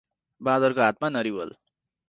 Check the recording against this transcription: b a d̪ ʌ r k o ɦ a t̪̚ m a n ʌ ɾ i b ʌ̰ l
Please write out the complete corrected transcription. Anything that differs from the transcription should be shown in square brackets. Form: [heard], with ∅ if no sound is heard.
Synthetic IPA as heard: b a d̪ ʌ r k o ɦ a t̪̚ m a n ʌ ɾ i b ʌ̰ l